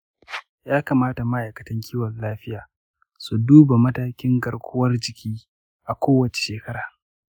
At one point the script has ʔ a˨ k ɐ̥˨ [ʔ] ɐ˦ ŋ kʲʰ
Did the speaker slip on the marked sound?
yes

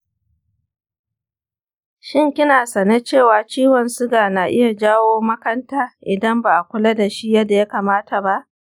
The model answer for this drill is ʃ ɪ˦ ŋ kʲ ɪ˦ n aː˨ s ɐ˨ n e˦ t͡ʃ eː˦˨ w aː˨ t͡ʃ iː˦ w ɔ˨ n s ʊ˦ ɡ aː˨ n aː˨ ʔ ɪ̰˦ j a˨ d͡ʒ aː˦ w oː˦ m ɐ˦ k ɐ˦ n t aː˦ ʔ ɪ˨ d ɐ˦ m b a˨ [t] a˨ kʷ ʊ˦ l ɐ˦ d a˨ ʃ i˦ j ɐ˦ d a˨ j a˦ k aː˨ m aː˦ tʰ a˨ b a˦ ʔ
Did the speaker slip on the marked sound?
yes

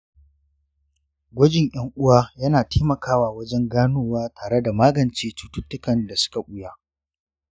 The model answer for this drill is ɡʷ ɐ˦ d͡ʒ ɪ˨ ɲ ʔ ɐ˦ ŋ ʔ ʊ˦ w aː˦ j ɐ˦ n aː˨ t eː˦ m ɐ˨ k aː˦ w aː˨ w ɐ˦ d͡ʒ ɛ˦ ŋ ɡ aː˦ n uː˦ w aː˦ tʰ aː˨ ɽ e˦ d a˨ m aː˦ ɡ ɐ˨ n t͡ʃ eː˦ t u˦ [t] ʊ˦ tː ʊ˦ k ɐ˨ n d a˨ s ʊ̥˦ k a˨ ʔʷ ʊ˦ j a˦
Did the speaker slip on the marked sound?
no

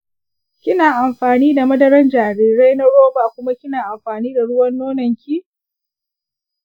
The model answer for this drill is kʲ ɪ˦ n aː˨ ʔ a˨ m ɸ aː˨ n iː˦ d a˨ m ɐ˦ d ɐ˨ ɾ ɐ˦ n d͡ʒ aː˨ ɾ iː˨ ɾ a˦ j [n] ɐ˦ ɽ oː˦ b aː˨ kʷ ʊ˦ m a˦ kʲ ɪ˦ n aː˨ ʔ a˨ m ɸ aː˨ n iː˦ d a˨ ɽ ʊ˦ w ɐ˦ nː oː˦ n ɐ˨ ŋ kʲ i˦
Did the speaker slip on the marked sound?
no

